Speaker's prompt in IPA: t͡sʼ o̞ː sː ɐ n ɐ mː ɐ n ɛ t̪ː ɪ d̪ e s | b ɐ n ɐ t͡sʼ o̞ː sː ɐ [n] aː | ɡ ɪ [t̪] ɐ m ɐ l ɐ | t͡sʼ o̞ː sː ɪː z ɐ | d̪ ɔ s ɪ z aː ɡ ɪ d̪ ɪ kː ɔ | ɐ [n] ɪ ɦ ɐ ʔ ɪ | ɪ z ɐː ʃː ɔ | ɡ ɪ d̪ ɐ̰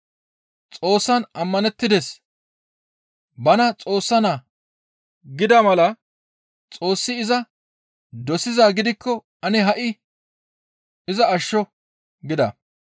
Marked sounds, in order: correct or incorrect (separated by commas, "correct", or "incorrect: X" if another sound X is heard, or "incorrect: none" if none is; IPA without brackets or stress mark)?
correct, incorrect: d̪, correct